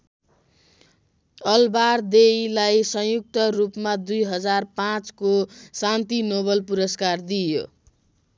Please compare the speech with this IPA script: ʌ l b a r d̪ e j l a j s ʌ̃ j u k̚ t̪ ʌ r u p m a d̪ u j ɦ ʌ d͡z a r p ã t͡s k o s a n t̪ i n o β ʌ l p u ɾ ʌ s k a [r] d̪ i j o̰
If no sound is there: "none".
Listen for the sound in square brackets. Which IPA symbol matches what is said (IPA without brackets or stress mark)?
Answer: r